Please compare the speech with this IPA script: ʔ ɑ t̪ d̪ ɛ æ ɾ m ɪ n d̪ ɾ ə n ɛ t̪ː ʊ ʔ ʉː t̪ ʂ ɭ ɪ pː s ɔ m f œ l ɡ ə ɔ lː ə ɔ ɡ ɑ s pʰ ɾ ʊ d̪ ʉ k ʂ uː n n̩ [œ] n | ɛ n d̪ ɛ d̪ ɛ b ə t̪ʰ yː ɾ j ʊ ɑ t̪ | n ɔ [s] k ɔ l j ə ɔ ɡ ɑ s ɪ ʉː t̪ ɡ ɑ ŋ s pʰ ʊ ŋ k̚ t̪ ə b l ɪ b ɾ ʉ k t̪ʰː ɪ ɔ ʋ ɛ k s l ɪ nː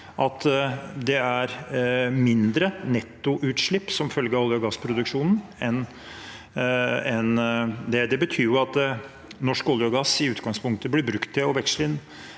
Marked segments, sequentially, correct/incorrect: incorrect: ɛ, incorrect: ʂ

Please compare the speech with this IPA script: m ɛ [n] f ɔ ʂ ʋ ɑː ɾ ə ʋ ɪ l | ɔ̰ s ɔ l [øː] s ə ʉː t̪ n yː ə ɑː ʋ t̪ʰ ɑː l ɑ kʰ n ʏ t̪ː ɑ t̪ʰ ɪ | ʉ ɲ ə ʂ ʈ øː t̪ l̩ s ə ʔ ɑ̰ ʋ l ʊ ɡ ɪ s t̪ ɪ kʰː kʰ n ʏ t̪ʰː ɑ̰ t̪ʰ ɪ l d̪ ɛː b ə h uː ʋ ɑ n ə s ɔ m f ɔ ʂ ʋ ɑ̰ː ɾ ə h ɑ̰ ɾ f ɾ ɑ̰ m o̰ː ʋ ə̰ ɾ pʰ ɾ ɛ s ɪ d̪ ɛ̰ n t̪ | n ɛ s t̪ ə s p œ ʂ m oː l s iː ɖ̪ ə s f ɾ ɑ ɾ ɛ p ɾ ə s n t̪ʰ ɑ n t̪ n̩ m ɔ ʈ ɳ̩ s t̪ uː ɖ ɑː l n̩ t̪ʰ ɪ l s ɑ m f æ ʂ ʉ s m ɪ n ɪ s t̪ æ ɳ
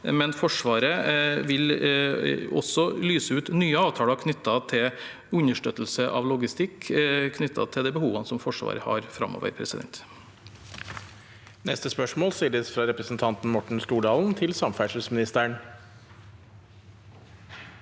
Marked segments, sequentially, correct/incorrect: correct, incorrect: yː

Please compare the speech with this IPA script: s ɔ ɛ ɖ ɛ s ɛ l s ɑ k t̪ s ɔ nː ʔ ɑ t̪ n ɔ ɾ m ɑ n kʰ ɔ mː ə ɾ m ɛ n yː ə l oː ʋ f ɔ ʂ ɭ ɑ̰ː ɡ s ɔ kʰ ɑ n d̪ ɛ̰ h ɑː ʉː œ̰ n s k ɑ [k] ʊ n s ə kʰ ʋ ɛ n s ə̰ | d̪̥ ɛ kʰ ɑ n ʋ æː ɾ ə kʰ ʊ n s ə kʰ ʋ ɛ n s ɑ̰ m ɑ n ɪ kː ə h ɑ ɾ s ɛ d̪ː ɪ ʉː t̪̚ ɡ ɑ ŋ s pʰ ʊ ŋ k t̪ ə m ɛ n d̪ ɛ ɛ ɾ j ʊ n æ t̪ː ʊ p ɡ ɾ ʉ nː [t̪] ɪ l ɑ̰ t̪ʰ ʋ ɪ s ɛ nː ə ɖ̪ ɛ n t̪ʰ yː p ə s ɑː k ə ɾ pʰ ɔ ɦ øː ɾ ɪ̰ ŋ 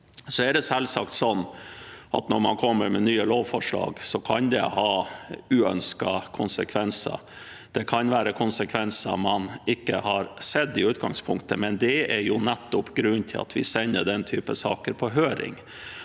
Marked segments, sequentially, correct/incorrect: incorrect: kʰ, incorrect: t̪ʰ

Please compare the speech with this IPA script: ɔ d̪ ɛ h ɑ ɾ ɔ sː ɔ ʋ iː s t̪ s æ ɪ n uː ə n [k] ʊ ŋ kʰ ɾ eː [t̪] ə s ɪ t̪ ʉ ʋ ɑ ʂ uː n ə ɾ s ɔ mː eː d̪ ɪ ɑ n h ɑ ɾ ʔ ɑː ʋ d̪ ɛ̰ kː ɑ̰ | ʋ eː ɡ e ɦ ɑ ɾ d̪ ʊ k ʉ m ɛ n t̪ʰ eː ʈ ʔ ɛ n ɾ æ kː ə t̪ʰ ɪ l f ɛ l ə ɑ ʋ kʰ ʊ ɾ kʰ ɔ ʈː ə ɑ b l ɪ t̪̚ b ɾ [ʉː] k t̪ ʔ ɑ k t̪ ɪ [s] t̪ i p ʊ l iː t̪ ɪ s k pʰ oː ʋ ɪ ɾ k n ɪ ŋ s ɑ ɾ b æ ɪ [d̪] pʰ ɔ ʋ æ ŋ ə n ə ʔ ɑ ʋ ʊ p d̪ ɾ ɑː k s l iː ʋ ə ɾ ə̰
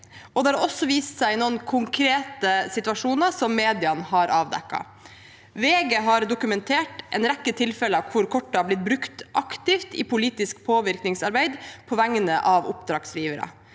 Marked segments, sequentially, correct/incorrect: incorrect: kʰ, correct, incorrect: ʉ, incorrect: f, correct

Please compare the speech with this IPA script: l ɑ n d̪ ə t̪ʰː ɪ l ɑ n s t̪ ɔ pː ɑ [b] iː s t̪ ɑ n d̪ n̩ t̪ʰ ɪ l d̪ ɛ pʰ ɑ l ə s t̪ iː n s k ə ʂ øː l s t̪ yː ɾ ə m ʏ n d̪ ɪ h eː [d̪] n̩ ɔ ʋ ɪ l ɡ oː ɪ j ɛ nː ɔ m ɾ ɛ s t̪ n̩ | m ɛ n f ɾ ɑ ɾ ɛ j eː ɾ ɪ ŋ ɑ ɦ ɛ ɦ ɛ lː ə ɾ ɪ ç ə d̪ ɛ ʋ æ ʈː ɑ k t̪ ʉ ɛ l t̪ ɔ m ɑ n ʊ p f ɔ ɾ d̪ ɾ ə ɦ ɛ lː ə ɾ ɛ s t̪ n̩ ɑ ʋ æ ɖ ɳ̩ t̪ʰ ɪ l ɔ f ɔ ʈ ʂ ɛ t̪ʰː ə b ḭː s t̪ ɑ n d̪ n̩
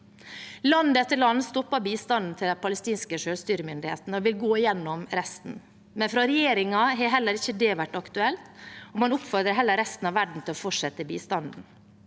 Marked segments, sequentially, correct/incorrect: correct, incorrect: t̪

